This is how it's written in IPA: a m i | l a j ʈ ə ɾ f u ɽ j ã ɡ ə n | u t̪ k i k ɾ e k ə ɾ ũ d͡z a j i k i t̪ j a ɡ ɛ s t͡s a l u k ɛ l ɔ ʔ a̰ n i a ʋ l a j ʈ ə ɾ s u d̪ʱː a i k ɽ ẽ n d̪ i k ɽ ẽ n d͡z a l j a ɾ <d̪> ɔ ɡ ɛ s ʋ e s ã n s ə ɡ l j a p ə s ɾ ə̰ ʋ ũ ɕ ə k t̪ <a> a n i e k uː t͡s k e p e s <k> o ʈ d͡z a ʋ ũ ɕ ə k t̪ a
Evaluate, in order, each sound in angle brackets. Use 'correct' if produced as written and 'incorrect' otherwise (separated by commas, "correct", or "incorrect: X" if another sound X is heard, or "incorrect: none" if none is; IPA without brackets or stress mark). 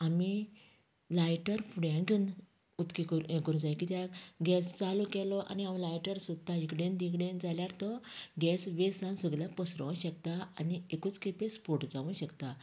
incorrect: t̪, correct, incorrect: p